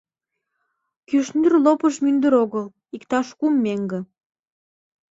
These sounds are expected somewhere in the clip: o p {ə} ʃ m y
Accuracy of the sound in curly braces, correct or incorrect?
correct